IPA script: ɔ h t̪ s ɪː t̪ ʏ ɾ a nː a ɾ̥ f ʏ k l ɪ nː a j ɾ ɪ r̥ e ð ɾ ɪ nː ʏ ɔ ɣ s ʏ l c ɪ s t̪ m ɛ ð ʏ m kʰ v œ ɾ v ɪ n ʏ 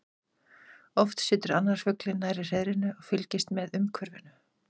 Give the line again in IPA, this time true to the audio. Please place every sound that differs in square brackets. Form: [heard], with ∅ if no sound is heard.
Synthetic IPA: ɔ [f] t̪ s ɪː t̪ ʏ ɾ a nː a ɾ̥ f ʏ k l ɪ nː a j ɾ ɪ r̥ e ð ɾ ɪ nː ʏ ɔ ɣ [f] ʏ l c ɪ s t̪ m ɛ ð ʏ m kʰ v œ ɾ v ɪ n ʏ